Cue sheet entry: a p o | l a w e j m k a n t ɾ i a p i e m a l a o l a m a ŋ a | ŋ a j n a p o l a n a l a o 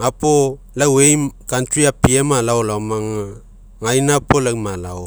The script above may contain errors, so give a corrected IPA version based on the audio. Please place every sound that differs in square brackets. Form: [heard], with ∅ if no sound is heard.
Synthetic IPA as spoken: a p o | l a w e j m k a n t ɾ i a p i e m a l a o l a m a ŋ a | ŋ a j n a p o l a [m] a l a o